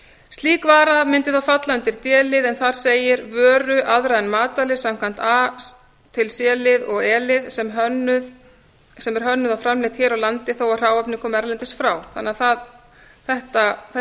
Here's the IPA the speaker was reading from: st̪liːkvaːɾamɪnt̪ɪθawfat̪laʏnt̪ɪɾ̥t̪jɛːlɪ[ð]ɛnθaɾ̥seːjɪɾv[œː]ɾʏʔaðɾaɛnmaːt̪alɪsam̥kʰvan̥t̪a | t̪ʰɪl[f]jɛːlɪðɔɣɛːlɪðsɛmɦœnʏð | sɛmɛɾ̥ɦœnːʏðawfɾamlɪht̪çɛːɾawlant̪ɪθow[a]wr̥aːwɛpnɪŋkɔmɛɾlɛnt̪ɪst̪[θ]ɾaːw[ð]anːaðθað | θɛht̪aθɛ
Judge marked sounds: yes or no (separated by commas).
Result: yes, yes, no, yes, no, no